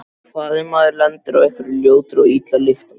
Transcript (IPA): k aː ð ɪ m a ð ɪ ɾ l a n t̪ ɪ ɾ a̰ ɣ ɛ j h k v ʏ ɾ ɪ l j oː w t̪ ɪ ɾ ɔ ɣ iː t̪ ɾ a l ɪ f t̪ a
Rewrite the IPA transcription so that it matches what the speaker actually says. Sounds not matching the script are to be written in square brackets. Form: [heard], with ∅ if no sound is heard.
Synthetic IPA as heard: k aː ð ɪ m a ð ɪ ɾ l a n t̪ ɪ ɾ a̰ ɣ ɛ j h k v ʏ ɾ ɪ l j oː w t̪ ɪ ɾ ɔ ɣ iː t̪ [l] a l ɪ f t̪ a